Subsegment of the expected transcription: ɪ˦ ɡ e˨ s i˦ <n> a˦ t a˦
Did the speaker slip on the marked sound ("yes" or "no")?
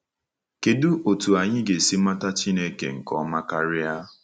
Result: yes